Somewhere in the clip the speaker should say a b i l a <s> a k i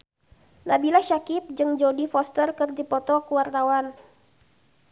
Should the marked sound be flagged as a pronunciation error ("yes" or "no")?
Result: yes